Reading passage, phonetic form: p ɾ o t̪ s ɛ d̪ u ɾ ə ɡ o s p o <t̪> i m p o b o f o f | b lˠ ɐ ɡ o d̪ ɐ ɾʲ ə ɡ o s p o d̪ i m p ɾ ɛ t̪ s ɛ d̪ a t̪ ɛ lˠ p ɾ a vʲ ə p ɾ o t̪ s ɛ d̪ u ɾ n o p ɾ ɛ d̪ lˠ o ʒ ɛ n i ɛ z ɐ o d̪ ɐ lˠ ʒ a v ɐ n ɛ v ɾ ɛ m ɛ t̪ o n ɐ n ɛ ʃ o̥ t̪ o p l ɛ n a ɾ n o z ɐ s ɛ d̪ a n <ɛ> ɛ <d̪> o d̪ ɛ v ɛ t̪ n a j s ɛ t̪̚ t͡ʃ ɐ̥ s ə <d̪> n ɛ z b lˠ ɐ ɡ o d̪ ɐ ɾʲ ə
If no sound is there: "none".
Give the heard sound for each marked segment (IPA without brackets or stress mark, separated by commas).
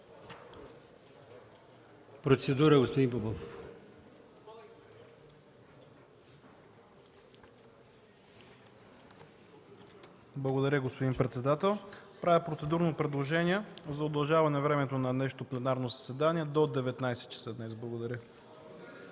d̪, i, d̪, d̪